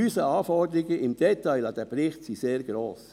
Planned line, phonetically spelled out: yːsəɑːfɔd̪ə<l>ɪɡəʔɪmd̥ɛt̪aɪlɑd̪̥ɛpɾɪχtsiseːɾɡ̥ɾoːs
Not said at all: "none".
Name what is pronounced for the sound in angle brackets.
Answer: ɾ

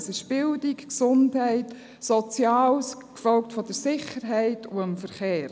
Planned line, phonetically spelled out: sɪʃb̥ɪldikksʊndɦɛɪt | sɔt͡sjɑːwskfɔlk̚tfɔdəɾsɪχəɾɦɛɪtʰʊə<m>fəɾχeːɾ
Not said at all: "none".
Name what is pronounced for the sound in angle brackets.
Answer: m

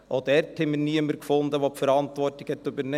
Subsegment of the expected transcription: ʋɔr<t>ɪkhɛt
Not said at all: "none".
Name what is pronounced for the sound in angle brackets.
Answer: t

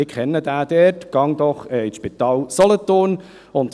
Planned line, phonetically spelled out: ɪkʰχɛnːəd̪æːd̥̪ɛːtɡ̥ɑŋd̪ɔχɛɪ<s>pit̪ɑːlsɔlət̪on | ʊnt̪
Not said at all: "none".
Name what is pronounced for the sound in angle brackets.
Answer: ʃ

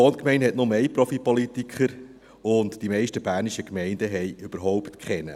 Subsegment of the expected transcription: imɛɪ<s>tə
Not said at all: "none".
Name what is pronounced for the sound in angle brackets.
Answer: ʃ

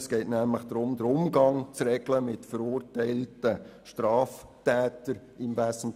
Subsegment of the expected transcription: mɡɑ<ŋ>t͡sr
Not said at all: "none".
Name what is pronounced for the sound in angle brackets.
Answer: ŋ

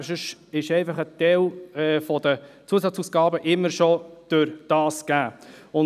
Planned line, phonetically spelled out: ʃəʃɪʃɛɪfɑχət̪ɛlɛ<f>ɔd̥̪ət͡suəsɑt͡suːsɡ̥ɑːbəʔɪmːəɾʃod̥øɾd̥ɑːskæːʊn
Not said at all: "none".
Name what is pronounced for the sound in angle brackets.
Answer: f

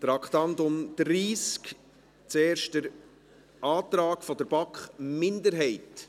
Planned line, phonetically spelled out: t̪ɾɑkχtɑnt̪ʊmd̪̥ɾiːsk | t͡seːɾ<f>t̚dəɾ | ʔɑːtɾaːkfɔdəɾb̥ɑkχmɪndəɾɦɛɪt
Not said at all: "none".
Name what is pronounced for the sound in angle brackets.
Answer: ʃ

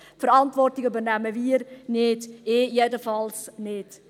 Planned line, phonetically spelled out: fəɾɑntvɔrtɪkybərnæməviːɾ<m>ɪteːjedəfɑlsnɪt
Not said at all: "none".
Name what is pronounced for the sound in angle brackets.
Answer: n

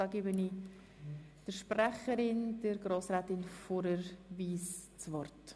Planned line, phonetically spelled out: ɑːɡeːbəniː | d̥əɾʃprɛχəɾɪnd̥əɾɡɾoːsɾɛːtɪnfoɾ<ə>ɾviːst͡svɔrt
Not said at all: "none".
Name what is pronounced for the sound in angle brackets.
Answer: ə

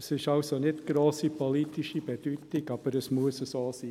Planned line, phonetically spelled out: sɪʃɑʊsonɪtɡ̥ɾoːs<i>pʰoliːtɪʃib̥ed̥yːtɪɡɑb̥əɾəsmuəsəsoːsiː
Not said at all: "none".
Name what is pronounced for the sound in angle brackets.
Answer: i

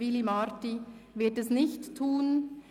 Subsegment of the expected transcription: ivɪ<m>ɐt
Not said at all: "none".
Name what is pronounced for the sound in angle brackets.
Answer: none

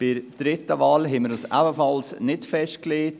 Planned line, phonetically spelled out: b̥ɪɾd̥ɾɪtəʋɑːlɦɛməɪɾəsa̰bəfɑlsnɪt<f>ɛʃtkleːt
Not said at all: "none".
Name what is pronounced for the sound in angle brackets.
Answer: f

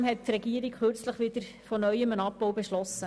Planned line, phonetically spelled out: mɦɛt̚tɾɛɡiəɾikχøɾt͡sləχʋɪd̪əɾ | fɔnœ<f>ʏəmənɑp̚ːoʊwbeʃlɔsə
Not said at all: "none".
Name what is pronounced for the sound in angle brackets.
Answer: none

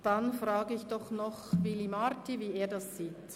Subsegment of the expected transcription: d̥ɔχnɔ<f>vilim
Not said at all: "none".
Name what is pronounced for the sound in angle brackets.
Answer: χ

